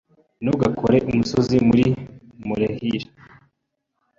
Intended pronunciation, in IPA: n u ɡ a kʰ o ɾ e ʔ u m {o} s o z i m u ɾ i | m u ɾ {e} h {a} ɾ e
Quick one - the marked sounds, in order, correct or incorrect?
incorrect, correct, incorrect

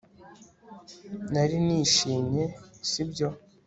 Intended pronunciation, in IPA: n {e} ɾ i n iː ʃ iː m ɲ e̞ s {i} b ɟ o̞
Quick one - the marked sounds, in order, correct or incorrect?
incorrect, correct

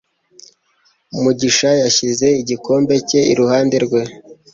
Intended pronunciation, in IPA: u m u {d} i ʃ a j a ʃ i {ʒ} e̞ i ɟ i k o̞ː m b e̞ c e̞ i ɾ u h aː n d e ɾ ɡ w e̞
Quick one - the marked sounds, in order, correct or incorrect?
incorrect, incorrect

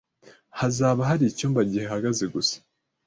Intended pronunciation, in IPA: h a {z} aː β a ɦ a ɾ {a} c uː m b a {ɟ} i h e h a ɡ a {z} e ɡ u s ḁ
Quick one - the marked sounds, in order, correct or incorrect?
correct, incorrect, correct, correct

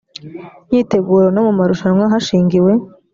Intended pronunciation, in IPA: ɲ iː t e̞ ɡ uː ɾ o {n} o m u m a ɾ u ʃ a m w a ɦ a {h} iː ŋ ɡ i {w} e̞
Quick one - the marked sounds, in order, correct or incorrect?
correct, incorrect, correct

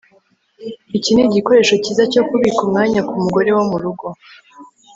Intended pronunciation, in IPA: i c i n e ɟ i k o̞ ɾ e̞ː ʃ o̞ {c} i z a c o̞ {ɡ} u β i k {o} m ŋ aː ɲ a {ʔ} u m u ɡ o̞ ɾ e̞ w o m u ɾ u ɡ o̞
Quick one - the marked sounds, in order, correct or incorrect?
correct, incorrect, incorrect, incorrect

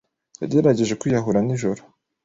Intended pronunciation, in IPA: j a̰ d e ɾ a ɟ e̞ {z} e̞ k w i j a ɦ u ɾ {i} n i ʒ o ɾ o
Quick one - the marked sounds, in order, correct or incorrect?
incorrect, incorrect

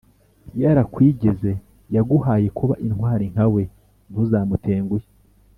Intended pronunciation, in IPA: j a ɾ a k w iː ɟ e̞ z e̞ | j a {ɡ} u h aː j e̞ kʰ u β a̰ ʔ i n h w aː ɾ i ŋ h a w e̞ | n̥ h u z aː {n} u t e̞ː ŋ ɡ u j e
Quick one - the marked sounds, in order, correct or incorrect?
correct, incorrect

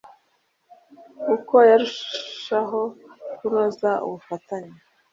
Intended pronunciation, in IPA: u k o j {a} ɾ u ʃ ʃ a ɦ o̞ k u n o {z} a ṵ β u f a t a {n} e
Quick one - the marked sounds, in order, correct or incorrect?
correct, correct, incorrect

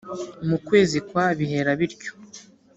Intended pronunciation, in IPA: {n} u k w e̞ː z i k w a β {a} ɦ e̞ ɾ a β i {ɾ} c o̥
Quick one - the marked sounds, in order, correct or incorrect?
incorrect, incorrect, correct

